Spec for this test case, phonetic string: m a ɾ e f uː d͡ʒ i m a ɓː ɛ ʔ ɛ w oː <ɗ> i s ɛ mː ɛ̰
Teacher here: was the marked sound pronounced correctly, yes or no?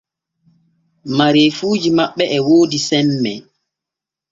no